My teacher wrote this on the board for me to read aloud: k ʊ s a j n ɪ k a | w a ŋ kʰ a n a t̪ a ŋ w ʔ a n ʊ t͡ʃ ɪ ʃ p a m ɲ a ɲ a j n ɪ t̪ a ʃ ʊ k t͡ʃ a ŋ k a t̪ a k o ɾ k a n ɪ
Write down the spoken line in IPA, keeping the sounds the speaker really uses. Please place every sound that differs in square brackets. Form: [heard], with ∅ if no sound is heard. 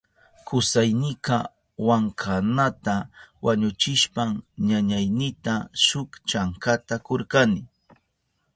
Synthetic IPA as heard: k ʊ s a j n ɪ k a | w a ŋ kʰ a n a t̪ a [∅] w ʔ a [ɲ] ʊ t͡ʃ ɪ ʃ p a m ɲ a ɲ a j n ɪ t̪ a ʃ ʊ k t͡ʃ a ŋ k a t̪ a k o ɾ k a n ɪ